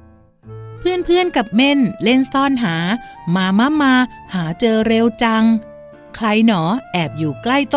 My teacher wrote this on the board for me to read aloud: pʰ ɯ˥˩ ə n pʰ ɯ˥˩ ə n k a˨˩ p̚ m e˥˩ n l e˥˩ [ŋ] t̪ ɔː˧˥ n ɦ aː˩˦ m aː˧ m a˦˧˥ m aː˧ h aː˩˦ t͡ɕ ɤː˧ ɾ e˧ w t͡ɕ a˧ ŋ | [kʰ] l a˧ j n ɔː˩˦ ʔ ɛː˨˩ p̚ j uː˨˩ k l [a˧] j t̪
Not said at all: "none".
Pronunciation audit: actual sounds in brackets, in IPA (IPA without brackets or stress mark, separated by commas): n, kʰ, a˥˩